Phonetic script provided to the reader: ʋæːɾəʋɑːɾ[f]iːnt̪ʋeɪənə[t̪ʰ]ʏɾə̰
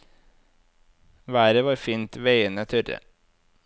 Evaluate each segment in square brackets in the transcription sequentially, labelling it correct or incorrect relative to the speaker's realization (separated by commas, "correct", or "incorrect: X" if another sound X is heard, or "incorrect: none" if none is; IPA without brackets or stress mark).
correct, correct